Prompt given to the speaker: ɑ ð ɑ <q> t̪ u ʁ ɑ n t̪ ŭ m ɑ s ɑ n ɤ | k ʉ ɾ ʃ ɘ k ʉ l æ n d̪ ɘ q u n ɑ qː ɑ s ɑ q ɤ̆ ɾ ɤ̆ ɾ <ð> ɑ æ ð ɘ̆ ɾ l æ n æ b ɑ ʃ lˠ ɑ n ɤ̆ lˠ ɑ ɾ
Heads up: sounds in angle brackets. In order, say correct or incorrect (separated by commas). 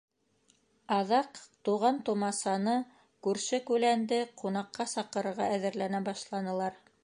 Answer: correct, incorrect